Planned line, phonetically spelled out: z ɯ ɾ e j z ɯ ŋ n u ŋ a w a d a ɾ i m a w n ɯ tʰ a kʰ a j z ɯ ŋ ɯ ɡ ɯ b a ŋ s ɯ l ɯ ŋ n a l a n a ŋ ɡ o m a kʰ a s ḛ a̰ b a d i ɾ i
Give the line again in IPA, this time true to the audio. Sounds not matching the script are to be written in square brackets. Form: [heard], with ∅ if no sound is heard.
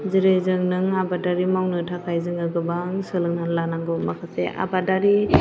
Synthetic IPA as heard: z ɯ ɾ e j z ɯ ŋ n [ɯ] ŋ a [b] a d a ɾ i m a w n ɯ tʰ a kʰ a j z ɯ ŋ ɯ ɡ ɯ b a ŋ s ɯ l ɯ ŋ n a l a n a ŋ ɡ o m a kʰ a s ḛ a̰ b a d [a] ɾ i